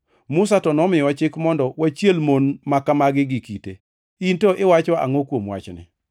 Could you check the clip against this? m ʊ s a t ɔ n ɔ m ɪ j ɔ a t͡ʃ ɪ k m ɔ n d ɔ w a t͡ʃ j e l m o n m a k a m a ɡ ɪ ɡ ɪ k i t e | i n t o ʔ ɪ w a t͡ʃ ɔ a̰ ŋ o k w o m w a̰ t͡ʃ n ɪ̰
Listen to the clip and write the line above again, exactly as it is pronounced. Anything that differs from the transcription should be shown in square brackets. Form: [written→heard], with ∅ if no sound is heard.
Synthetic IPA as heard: m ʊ s a t ɔ n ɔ m ɪ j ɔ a t͡ʃ ɪ k m ɔ n d ɔ w a t͡ʃ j e l m o n m a k a m a ɡ ɪ ɡ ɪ k i t e | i n t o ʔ ɪ w a t͡ʃ ɔ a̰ ŋ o k w o m w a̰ t͡ʃ n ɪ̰